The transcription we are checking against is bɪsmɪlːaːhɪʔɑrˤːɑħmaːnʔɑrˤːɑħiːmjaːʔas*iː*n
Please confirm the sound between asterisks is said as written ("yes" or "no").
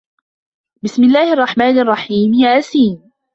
yes